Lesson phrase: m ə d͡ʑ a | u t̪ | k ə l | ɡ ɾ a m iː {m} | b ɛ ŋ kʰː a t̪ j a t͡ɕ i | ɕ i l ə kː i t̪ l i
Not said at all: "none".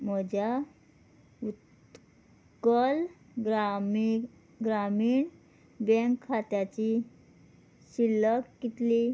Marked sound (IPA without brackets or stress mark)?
ɳ